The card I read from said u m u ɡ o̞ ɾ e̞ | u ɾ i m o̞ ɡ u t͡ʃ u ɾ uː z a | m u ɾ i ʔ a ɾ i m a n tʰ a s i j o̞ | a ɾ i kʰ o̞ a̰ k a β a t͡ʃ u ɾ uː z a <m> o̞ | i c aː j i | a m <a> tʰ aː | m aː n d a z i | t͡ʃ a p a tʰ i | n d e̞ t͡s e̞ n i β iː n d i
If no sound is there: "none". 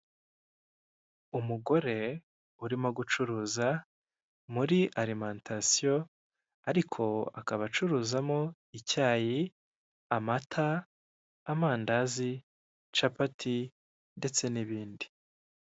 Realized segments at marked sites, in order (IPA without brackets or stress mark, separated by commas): m, a